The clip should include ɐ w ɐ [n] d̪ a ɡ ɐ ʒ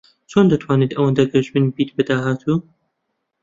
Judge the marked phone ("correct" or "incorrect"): correct